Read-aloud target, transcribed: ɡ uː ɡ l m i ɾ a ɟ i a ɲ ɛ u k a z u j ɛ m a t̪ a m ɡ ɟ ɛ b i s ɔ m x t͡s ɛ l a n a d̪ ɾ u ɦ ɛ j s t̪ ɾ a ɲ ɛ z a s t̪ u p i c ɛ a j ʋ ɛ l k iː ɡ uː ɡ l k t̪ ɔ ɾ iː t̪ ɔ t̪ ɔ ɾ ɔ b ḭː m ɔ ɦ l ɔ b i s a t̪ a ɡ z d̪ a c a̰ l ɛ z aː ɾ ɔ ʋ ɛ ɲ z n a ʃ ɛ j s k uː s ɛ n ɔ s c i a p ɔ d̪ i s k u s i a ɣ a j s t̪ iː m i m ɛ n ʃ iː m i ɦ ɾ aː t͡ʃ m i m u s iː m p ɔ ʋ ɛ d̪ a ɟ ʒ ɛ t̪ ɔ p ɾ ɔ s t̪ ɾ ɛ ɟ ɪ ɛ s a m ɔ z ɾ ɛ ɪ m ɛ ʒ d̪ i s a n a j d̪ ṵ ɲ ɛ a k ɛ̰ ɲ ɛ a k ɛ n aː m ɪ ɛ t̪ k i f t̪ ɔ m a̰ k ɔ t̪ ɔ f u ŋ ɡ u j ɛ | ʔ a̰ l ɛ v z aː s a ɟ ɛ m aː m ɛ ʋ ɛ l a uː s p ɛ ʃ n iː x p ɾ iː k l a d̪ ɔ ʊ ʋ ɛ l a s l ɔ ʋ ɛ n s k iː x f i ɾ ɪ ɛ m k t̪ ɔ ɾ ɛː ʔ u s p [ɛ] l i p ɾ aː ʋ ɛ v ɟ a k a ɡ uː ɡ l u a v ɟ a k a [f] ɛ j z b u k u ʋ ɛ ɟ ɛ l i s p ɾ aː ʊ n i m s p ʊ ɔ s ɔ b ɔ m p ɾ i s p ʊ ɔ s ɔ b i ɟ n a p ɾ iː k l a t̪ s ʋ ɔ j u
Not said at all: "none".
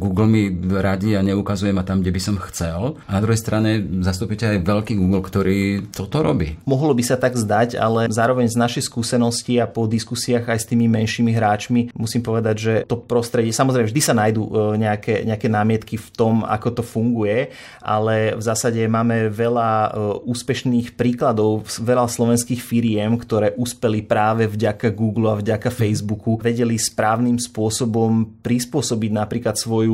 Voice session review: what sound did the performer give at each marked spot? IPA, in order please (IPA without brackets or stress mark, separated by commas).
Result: ɛ, f